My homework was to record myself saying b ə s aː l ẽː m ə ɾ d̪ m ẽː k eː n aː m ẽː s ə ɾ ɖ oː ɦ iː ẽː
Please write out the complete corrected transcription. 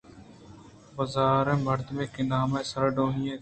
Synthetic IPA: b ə z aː ɾ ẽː m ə ɾ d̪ m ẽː k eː n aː m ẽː s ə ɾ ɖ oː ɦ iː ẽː